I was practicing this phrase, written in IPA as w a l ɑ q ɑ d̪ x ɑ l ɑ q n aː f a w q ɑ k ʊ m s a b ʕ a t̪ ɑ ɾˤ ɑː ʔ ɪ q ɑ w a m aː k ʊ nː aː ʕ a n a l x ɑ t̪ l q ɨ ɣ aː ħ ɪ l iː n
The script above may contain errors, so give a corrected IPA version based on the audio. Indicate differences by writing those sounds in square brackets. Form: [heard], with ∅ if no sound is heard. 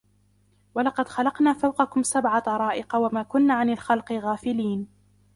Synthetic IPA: w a l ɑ q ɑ d̪ x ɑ l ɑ q n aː f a w q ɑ k ʊ m s a b ʕ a t̪ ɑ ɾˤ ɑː ʔ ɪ q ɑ w a m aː k ʊ nː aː ʕ a n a l x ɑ [∅] l q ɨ ɣ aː [f] ɪ l iː n